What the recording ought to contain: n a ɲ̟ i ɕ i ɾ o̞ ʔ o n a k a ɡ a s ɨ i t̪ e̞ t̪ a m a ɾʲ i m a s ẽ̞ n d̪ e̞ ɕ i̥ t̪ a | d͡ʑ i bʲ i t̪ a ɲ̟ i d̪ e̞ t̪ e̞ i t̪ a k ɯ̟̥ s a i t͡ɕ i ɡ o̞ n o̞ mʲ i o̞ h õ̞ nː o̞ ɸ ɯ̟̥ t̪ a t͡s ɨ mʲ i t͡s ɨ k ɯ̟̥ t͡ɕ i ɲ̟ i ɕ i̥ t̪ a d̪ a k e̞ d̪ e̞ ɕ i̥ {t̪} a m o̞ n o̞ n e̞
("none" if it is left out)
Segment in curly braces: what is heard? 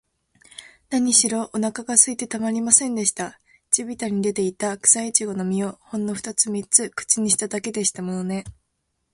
t̪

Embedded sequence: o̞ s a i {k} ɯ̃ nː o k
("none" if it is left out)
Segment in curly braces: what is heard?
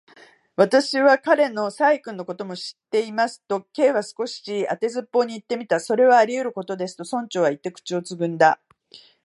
k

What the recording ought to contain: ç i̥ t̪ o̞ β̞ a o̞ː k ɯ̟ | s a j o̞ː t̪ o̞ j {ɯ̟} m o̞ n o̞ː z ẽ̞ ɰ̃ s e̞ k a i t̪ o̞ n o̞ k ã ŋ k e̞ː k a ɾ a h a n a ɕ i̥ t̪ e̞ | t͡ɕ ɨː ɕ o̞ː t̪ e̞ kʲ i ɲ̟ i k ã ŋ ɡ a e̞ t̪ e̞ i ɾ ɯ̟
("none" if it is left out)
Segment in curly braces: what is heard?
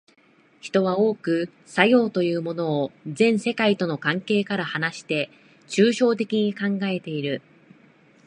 ɯ̟ː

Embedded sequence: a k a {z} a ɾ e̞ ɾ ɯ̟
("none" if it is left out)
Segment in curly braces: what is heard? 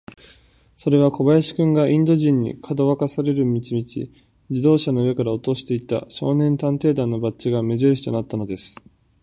s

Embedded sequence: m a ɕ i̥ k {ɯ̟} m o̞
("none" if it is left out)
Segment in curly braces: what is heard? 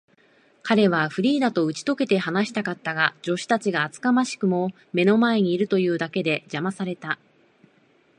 ɯ̟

